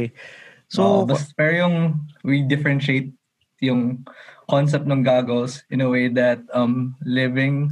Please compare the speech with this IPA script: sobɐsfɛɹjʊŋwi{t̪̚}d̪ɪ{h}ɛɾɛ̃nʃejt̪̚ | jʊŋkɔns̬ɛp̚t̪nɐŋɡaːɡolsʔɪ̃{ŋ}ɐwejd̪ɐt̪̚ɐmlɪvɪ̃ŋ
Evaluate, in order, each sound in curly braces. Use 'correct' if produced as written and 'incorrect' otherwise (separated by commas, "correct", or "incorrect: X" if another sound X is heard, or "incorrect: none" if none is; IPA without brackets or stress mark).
incorrect: none, incorrect: f, incorrect: n